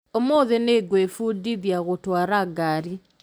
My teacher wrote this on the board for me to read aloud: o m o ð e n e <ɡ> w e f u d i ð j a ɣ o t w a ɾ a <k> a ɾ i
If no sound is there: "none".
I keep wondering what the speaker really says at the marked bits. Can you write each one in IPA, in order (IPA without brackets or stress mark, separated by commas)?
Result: ɡ, ɡ